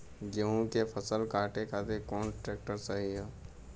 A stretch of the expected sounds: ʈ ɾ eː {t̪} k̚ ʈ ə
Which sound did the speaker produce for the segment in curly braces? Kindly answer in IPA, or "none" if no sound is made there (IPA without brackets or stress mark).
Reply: none